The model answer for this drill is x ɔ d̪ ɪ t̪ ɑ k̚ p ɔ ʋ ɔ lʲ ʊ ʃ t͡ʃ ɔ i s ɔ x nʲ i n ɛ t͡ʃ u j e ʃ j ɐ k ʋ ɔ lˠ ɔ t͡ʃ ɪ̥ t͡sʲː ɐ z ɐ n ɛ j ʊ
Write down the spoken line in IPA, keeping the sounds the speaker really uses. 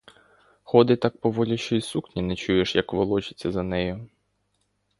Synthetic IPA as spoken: x ɔ d̪ ɪ t̪ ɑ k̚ p ɔ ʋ ɔ lʲ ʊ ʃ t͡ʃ ɔ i s u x nʲ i n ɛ t͡ʃ u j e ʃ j ɐ k ʋ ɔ lˠ ɔ t͡ʃ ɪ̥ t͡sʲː ɐ z ɐ n ɛ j ʊ